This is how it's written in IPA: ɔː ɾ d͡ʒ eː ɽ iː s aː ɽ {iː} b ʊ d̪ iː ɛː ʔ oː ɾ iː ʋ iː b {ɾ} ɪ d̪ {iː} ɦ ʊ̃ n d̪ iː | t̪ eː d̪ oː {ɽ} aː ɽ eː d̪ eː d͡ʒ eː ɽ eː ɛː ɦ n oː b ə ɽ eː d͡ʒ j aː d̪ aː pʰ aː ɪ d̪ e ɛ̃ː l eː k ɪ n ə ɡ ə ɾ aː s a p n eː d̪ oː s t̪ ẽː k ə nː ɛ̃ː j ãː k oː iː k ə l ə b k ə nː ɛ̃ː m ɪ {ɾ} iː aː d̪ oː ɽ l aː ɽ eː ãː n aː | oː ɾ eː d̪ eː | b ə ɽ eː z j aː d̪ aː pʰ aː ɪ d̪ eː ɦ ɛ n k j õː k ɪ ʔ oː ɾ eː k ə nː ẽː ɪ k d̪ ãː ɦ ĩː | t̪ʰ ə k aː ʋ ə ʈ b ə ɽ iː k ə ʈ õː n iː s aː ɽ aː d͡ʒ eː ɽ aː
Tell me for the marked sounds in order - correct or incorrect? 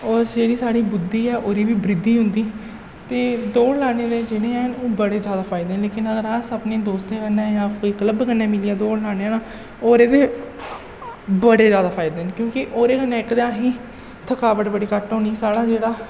correct, correct, correct, incorrect, incorrect

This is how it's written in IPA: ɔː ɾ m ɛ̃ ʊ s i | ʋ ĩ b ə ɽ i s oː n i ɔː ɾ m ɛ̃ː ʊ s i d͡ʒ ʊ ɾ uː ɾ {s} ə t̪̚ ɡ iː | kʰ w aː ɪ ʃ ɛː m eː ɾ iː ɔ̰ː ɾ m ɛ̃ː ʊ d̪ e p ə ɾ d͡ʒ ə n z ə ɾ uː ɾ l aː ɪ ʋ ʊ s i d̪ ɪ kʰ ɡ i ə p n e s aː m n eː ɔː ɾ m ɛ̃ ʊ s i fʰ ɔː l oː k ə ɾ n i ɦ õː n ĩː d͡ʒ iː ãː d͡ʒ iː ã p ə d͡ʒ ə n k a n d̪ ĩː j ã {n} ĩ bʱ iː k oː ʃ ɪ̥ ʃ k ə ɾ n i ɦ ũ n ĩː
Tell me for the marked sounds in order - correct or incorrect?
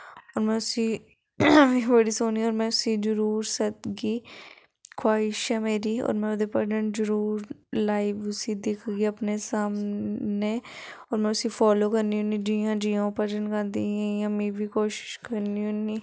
correct, incorrect

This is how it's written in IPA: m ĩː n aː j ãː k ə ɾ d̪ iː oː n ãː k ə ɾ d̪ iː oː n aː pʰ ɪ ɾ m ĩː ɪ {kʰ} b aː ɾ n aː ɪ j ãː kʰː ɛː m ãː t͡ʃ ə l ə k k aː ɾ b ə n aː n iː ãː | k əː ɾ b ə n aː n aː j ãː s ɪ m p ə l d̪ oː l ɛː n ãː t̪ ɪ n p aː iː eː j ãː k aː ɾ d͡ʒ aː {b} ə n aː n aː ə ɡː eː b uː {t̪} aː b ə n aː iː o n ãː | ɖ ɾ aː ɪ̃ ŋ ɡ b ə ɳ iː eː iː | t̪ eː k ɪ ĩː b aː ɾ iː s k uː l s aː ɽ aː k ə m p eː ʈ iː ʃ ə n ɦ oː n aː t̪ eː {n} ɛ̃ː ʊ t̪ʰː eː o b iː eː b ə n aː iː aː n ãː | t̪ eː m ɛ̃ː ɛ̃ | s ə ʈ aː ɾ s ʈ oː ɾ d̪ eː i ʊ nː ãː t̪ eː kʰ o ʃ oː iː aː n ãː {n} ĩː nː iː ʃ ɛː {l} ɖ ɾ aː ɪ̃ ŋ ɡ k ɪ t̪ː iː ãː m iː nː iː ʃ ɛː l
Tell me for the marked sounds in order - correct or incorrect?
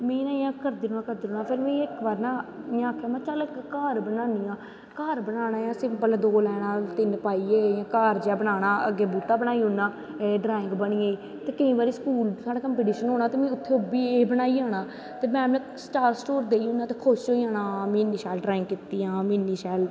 incorrect, correct, correct, incorrect, incorrect, correct

